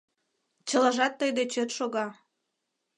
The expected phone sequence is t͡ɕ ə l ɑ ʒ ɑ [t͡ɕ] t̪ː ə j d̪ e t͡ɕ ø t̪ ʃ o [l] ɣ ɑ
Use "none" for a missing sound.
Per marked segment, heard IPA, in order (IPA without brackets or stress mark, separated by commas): none, none